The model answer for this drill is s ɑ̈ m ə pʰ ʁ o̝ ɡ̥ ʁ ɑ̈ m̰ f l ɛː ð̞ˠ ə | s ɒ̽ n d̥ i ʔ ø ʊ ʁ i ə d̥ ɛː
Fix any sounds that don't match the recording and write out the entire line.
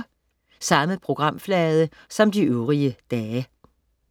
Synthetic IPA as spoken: s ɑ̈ m ə pʰ ʁ o̝ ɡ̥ ʁ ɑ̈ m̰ f l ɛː ð̞ˠ ə | s ɒ̽ m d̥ i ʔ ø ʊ ʁ i ə d̥ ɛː